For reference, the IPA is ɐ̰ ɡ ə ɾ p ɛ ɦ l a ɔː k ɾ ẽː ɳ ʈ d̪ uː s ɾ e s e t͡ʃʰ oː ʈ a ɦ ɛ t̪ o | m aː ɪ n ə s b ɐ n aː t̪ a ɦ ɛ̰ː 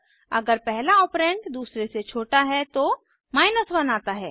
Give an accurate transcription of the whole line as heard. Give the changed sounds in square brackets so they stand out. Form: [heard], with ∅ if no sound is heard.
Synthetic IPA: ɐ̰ ɡ ə ɾ p ɛ ɦ l a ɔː [p] ɾ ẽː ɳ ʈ d̪ uː s ɾ e s e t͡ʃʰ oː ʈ a ɦ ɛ t̪ o | m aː ɪ n ə s b ɐ n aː t̪ a ɦ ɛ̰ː